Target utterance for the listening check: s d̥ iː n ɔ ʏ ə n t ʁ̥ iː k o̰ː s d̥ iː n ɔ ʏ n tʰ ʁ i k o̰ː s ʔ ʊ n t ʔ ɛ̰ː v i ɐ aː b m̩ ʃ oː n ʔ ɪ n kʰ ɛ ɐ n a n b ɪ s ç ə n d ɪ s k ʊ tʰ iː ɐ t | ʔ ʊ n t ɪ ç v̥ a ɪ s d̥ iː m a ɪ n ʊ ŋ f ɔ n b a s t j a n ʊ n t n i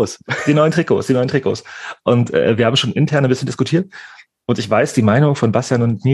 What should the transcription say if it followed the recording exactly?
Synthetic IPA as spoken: s d̥ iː n ɔ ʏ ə n t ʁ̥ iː k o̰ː s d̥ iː n ɔ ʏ n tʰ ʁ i k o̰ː s ʔ ʊ n t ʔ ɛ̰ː v i ɐ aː b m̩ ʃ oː n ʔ ɪ n tʰ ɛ ɐ n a n b ɪ s ç ə n d ɪ s k ʊ tʰ iː ɐ t | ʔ ʊ n t ɪ ç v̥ a ɪ s d̥ iː m a ɪ n ʊ ŋ f ɔ n b a s t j a n ʊ n t n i